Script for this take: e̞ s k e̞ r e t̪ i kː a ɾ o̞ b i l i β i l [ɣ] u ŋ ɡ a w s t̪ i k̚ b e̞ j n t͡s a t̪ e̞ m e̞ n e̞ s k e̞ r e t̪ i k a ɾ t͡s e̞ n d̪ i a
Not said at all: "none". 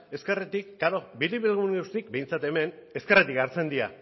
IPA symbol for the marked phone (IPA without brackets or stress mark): ɣ